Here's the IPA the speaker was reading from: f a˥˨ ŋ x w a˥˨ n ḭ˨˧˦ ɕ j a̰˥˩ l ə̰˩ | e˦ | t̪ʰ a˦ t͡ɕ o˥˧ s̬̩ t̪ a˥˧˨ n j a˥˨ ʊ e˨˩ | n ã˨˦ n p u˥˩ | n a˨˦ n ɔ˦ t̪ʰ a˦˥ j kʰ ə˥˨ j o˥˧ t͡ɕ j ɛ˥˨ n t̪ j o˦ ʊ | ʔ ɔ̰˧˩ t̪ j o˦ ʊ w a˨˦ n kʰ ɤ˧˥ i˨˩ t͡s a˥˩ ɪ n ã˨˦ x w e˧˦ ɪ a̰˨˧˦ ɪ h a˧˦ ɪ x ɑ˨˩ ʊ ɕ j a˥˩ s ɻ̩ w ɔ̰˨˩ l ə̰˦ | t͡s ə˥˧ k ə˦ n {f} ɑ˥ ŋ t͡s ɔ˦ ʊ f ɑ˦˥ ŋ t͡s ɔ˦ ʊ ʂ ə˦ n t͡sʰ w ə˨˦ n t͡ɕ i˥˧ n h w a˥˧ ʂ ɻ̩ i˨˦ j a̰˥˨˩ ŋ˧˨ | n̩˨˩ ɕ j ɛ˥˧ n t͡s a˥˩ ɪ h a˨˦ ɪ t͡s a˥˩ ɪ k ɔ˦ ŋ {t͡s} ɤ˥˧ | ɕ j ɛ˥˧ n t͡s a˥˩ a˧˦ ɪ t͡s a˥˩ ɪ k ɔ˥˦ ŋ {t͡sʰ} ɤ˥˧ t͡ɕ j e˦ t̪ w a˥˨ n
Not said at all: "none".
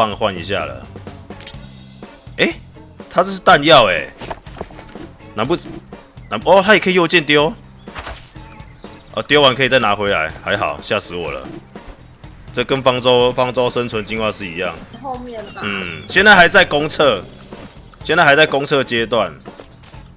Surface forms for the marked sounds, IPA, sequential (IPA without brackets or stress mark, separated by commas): f, t͡sʰ, t͡sʰ